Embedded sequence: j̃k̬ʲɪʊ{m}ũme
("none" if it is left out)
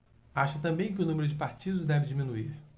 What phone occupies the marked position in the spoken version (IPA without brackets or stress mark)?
n